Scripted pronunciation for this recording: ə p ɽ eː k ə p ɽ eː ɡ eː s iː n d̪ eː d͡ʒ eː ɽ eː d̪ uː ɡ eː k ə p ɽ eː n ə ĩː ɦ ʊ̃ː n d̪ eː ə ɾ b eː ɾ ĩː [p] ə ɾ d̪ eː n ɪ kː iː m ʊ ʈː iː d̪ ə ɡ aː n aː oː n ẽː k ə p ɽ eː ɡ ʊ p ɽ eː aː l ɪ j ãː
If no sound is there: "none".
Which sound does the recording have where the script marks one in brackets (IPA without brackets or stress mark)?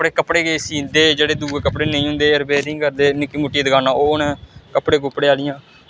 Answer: k